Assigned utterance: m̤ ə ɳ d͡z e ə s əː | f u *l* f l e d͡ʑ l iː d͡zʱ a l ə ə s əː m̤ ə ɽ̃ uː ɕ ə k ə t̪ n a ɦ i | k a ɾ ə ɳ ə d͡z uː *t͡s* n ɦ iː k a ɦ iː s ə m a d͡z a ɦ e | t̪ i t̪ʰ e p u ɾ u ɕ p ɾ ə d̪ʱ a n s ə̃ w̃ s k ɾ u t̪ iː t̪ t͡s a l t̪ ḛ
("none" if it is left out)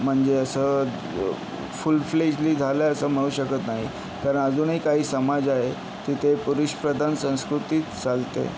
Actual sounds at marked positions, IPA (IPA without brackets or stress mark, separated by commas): l, none